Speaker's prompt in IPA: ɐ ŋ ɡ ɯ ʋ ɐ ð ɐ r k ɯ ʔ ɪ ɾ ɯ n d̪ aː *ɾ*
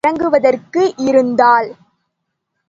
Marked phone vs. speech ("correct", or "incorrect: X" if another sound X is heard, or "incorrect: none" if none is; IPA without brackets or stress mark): incorrect: l